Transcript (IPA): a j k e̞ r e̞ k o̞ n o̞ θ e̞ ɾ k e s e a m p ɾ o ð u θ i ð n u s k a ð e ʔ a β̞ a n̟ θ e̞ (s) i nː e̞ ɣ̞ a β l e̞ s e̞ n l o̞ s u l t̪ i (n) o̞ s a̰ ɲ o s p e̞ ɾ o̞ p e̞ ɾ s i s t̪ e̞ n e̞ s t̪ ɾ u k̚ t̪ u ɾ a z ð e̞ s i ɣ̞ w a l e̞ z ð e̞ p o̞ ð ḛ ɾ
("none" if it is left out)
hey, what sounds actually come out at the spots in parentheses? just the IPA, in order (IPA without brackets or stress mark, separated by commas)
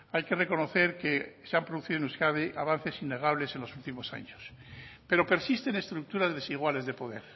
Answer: s, m